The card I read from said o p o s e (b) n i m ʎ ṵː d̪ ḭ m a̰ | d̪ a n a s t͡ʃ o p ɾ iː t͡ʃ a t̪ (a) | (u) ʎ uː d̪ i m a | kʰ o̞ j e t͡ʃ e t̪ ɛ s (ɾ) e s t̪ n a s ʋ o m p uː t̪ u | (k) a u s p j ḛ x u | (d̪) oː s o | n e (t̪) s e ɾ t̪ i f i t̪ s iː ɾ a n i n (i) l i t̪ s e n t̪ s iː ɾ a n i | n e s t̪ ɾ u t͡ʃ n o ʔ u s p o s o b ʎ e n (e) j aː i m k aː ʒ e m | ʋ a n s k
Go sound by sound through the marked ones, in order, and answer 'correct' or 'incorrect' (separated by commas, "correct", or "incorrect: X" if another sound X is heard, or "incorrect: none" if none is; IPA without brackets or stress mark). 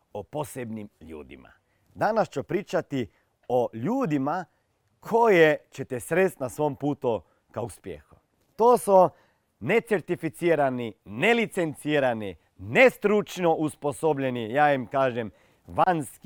correct, incorrect: i, incorrect: o, correct, correct, incorrect: t̪, correct, incorrect: e, incorrect: i